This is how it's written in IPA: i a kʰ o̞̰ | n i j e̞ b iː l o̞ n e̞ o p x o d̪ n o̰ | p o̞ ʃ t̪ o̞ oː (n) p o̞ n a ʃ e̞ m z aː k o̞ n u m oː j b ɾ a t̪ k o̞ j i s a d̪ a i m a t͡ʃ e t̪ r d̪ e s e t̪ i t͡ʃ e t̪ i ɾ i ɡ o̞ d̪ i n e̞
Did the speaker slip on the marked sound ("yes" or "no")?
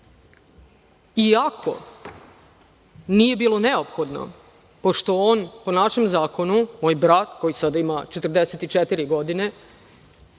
no